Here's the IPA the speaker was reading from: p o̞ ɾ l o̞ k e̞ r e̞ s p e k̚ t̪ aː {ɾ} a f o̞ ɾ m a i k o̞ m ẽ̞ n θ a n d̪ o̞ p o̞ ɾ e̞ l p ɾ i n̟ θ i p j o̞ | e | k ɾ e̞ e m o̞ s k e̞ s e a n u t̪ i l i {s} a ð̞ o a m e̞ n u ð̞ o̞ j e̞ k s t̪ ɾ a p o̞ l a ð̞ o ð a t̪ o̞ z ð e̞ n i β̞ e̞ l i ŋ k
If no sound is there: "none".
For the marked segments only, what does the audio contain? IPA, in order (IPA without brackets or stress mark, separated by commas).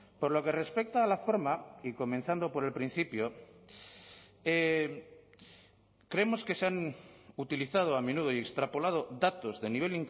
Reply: l, θ